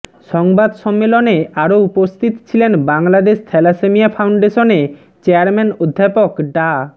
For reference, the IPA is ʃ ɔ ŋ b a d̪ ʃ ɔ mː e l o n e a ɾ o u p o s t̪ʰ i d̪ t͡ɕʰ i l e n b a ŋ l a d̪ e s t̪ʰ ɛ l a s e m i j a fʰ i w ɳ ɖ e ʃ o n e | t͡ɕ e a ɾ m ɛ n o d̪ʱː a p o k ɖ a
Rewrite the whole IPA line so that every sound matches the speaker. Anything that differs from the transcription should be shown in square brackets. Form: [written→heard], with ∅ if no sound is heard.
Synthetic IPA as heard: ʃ ɔ ŋ b a d̪ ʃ ɔ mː e l o n e a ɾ o u p o s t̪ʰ i [d̪→t̪] t͡ɕʰ i l e n b a ŋ l a d̪ e [s→ʃ] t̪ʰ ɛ l a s e m i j a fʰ [i→a] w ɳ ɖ e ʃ o n e | t͡ɕ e a ɾ m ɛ n o d̪ʱː a p o k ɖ a